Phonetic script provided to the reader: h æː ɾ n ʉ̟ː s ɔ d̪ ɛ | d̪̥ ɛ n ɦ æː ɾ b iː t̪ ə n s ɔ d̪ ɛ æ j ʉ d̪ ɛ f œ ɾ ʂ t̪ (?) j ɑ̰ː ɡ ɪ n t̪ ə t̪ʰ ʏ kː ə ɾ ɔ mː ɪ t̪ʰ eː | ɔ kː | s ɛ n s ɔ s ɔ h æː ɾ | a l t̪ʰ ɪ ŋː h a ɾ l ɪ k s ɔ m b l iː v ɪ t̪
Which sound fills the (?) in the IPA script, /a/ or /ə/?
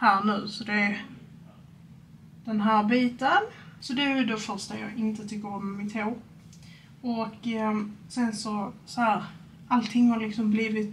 a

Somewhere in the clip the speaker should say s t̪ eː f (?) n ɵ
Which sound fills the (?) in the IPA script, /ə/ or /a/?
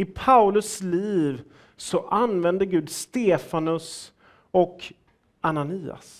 a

